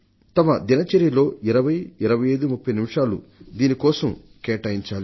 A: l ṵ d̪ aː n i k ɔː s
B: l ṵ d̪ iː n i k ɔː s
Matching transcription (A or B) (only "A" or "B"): B